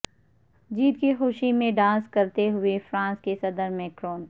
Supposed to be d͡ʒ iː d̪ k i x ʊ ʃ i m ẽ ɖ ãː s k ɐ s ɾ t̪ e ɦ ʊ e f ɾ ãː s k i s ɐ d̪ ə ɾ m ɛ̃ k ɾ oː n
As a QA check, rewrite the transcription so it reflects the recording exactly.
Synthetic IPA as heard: d͡ʒ iː t̪ k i x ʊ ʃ i m ẽ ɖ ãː s k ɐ ɾ t̪ e ɦ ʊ e f ɾ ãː s k e s ɐ d̪ ə ɾ m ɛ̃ k ɾ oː n